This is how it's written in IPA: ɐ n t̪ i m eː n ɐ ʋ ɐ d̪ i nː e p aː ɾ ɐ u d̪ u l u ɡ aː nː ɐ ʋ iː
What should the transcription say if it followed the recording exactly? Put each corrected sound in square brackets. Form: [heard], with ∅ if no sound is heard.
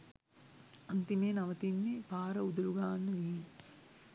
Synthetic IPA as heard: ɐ n t̪ i m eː n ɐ ʋ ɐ [t̪] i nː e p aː ɾ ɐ u d̪ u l u ɡ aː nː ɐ ʋ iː